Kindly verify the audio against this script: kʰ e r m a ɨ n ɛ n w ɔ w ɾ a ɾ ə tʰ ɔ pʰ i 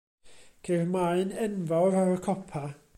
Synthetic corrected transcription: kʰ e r m a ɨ n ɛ n v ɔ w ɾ a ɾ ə kʰ ɔ pʰ a